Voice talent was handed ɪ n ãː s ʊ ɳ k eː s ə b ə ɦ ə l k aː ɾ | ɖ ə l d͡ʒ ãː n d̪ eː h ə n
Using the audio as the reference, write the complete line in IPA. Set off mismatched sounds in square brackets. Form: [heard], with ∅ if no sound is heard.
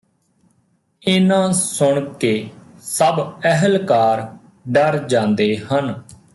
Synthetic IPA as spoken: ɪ n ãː s ʊ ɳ k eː s ə b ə ɦ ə l k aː ɾ | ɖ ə [ɾ] d͡ʒ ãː n d̪ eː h ə n